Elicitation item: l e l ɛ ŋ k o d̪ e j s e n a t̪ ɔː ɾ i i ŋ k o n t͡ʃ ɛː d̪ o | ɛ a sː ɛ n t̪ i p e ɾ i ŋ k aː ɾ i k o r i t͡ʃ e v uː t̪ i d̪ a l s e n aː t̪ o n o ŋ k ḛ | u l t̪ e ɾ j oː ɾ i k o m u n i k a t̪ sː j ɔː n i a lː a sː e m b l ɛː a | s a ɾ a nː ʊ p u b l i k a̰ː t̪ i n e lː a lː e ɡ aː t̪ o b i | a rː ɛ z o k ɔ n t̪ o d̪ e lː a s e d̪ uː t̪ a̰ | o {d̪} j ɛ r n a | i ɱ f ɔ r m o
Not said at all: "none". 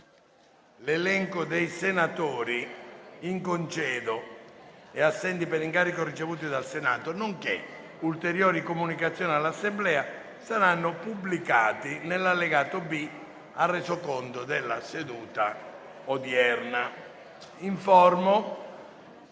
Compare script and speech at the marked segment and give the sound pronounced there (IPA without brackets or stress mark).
d̪